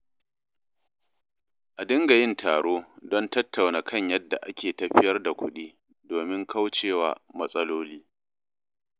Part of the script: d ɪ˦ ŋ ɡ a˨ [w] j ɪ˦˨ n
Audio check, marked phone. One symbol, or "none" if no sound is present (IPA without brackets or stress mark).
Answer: none